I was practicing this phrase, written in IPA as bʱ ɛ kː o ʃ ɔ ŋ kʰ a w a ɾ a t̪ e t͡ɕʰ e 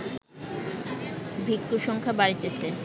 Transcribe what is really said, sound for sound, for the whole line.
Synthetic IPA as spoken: bʱ i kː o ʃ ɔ ŋ kʰ a b a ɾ i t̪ e t͡ɕʰ e